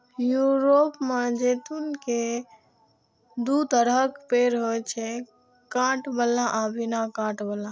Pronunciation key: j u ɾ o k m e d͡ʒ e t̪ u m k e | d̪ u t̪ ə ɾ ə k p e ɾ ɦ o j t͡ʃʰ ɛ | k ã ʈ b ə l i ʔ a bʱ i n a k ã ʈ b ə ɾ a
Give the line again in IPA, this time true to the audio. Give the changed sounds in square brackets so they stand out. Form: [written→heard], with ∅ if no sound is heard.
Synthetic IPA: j u ɾ o [k→p] m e d͡ʒ e t̪ u [m→n] k e | d̪ u t̪ ə ɾ ə k p e ɾ ɦ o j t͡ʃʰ ɛ | k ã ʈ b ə l [i→a] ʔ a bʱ i n a k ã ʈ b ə [ɾ→l] a